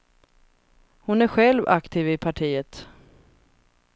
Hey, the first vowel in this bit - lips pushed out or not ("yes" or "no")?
yes